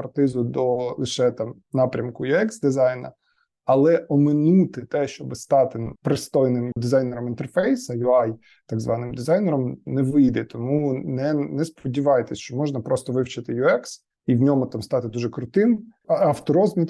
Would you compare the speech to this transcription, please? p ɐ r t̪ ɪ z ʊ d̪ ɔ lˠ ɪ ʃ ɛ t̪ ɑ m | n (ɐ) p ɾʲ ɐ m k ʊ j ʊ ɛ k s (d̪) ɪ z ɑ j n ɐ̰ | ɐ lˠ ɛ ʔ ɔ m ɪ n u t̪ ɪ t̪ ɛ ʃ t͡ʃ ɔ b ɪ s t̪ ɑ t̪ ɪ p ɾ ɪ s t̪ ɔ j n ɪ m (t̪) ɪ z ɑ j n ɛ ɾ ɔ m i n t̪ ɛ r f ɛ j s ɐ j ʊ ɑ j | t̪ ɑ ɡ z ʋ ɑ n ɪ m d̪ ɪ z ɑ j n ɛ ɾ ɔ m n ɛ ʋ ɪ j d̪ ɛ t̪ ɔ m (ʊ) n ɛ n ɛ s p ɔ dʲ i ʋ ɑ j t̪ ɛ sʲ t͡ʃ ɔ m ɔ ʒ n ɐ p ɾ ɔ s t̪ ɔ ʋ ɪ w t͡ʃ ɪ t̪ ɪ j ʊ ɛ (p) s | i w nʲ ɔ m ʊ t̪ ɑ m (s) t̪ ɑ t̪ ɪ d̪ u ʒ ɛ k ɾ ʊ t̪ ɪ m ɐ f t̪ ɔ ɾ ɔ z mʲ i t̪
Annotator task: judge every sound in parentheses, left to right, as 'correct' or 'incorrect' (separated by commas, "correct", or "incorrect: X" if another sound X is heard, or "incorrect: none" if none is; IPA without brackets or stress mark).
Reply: incorrect: ɑ, correct, incorrect: d̪, incorrect: u, incorrect: k, correct